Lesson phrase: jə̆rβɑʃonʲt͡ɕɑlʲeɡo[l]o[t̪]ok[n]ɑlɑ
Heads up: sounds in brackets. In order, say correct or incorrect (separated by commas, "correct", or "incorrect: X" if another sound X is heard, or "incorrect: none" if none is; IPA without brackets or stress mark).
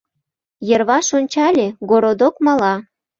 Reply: incorrect: ɾ, incorrect: d̪, incorrect: m